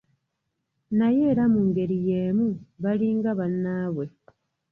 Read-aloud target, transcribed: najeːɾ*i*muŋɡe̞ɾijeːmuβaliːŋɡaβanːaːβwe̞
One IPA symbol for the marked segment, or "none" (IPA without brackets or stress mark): a